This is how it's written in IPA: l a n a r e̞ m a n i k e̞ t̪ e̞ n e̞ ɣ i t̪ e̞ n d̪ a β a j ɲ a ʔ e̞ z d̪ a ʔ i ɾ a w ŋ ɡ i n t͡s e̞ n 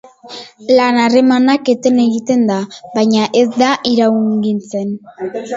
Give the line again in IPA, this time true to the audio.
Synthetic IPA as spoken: l a n a r e̞ m a n a k e̞ t̪ e̞ n e̞ ɣ i t̪ e̞ n d̪ a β a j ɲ a ʔ e̞ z d̪ a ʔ i ɾ a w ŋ ɡ i n t͡s e̞ n